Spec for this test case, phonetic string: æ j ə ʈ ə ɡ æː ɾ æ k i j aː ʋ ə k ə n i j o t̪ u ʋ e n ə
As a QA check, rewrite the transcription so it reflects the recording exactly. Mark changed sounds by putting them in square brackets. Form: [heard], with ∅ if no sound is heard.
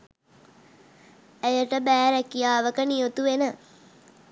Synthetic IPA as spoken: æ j ə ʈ ə [b] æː ɾ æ k i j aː ʋ ə k ə n i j o t̪ u ʋ e n ə